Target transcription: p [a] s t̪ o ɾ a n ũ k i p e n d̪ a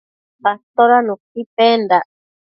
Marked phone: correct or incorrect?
correct